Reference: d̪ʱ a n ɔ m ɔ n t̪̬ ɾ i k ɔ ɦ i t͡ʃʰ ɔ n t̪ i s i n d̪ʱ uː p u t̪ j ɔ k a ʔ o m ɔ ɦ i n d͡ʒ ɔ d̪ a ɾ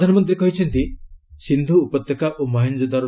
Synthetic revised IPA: d̪ʱ a n ɔ m ɔ n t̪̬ ɾ i k ɔ ɦ i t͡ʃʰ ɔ n t̪ i s i n d̪ʱ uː p ɔ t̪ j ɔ k a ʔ o m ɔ ɦ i n d͡ʒ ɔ d̪ a ɾ